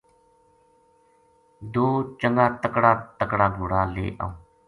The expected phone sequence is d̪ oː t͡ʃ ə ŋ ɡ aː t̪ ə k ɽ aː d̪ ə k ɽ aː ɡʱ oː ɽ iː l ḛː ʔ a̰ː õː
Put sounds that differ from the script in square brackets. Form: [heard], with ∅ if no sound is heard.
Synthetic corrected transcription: d̪ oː t͡ʃ ə ŋ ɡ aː t̪ ə k ɽ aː [t̪] ə k ɽ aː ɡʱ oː ɽ [aː] l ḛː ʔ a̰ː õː

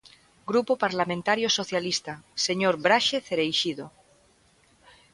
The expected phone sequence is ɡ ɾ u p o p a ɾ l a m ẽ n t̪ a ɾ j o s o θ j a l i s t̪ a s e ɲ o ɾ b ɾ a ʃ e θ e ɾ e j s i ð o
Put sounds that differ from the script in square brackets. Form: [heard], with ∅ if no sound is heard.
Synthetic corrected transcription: ɡ ɾ u p o p a ɾ l a m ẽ n t̪ a ɾ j o s o θ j a l i s t̪ a s e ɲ o ɾ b ɾ a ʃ e θ e ɾ e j [ʃ] i ð o

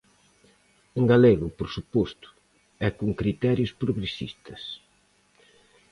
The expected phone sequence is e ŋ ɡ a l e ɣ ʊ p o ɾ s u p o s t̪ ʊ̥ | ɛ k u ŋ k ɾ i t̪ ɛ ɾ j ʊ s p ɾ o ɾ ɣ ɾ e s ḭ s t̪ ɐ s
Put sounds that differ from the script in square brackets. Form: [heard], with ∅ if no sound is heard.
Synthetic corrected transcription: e ŋ ɡ a l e ɣ ʊ p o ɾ s u p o s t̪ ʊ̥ | ɛ k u ŋ k ɾ i t̪ ɛ ɾ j ʊ s p ɾ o [∅] ɣ ɾ e s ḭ s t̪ ɐ s

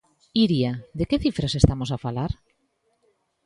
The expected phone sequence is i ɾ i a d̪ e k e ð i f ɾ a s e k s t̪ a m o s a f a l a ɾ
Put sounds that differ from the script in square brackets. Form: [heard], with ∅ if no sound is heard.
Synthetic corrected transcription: i ɾ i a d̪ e k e [θ] i f ɾ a s e [∅] s t̪ a m o s a f a l a ɾ

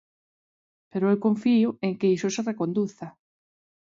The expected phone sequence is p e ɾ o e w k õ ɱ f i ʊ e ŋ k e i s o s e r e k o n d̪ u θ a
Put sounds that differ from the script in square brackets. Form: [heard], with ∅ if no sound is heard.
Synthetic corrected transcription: p e ɾ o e w k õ ɱ f i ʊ e ŋ k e i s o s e r e k o n d̪ u θ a

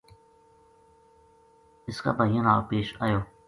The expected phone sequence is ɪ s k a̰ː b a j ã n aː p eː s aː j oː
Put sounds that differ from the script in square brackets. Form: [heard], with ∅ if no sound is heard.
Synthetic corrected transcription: ɪ s k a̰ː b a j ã n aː p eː [ʃ] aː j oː

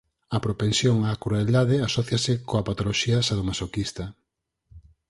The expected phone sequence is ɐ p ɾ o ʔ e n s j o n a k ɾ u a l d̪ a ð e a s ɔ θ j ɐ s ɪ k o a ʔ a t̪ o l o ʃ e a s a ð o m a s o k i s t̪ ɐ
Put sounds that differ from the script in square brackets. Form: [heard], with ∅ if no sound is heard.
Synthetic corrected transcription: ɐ p ɾ o [p] e n s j o [ŋ] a k ɾ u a l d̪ a ð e a s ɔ θ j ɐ s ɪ k o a [p] a t̪ o l o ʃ [i] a s a ð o m a s o k i s t̪ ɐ

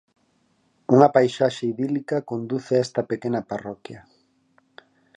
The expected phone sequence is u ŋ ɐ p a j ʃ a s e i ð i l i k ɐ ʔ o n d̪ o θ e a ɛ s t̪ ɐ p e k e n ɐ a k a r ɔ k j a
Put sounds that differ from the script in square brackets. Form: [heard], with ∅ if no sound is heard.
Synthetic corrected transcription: u ŋ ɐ p a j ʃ a [ʃ] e i ð i l i k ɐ [k] o n d̪ [u] θ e a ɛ s t̪ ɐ p e k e n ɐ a [p] a r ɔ k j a

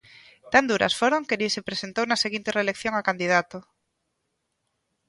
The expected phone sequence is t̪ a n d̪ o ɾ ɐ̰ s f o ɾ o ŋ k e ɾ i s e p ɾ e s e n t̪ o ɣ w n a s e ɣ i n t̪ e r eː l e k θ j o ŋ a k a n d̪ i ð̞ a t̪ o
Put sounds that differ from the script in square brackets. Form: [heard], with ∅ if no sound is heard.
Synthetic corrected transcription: t̪ a n d̪ [u] ɾ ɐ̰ s f o ɾ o ŋ k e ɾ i s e p ɾ e s e n t̪ o [∅] w n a s e ɣ i n t̪ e r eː l e k θ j o ŋ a k a n d̪ i ð̞ a t̪ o

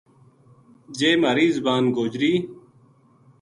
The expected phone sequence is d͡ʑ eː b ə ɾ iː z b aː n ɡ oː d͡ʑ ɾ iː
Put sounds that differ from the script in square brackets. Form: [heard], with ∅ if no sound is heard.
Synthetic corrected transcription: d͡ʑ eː [m] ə ɾ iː z b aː n ɡ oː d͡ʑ ɾ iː

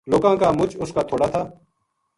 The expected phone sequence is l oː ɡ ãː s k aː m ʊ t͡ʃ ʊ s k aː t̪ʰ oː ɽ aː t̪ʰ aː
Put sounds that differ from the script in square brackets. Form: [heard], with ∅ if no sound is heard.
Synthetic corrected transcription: l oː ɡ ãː [∅] k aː m ʊ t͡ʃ ʊ s k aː t̪ʰ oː ɽ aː t̪ʰ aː

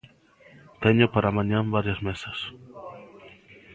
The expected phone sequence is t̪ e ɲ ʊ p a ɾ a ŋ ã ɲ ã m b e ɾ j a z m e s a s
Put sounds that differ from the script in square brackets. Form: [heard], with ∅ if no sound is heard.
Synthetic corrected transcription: t̪ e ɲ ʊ p a ɾ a [m] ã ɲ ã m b [a] ɾ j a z m e s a s

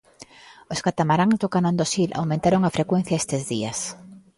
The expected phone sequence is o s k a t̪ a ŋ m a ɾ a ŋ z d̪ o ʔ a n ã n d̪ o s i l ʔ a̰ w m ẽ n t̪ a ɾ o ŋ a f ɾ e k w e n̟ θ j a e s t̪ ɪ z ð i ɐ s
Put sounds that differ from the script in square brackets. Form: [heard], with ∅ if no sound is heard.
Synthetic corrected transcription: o s k a t̪ a [∅] m a ɾ a ŋ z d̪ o [k] a n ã n d̪ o s i l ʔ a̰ w m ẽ n t̪ a ɾ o ŋ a f ɾ e k w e n̟ θ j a e s t̪ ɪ z ð i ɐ s

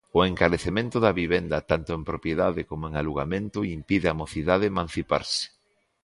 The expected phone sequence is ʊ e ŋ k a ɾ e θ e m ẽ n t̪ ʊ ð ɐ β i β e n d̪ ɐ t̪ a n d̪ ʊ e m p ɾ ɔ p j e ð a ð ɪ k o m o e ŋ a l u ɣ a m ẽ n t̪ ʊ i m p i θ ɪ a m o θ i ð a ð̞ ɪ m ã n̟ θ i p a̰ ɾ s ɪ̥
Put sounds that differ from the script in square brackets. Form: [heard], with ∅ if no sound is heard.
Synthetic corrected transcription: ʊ e ŋ k a ɾ e θ e m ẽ n t̪ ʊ ð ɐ β i β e n d̪ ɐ t̪ a n [t̪] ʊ e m p ɾ [o] p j e ð a ð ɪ k o m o e ŋ a l u ɣ a m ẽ n t̪ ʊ i m p i [ð] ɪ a m o θ i ð a ð̞ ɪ m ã n̟ θ i p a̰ ɾ s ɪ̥

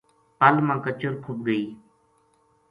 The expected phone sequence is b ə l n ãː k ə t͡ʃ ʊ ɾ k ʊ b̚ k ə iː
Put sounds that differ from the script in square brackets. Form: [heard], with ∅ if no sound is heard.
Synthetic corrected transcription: [p] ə l [m] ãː k ə t͡ʃ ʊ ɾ [kʰ] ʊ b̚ [ɡ] ə iː

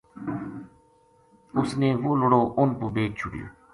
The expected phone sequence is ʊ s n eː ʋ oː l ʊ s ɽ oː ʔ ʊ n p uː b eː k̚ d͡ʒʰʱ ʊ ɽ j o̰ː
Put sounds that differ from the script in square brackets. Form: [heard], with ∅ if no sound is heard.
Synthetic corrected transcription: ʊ s n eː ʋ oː l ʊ [∅] ɽ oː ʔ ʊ n p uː b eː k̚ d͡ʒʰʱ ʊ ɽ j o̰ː

